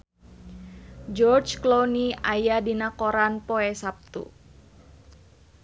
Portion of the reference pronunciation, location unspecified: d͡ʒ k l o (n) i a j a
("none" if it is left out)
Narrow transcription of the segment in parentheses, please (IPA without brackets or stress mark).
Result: n